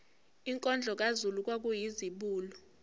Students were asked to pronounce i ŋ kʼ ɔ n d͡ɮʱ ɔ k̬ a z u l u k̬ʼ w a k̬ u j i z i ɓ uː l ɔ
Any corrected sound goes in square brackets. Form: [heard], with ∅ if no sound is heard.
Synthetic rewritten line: i ŋ kʼ ɔ n d͡ɮʱ ɔ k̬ a z u l u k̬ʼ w a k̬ u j i z i ɓ uː l ɔ